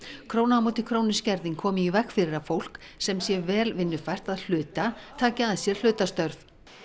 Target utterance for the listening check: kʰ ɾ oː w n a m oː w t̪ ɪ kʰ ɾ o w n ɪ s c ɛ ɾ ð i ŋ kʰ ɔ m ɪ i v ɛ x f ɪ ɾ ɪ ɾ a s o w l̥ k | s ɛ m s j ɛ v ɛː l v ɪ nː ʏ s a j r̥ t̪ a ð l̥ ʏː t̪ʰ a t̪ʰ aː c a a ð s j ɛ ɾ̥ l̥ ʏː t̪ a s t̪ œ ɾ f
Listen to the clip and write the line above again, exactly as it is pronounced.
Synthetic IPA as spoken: kʰ ɾ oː w n a m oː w t̪ ɪ kʰ ɾ o w n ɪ s c ɛ ɾ ð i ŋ kʰ ɔː m ɪ i v ɛ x f ɪ ɾ ɪ ɾ a f o w l̥ k | s ɛ m s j ɛ v ɛː l v ɪ nː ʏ f a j r̥ t̪ a ð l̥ ʏː t̪ a t̪ʰ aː c a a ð s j ɛ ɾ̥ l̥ ʏː t̪ a s t̪ œ ɾ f